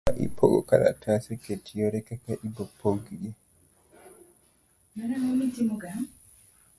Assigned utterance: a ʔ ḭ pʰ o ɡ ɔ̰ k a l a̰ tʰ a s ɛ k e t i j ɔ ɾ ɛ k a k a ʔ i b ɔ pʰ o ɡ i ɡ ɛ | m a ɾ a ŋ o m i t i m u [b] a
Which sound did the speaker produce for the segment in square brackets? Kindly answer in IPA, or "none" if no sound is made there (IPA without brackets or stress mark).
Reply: ɡ